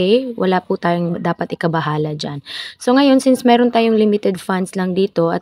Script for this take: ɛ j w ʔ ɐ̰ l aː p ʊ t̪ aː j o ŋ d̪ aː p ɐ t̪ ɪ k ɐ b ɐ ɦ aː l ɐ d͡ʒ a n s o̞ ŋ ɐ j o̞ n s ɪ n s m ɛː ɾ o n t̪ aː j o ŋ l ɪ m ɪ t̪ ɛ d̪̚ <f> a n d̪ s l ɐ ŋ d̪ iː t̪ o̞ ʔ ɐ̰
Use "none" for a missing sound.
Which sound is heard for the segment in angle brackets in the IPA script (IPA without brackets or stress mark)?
f